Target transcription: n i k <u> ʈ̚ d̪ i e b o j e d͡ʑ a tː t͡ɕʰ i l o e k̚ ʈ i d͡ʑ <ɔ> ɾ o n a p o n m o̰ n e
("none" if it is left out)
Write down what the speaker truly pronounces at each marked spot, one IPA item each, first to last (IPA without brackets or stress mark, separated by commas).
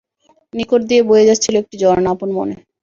o, ɔ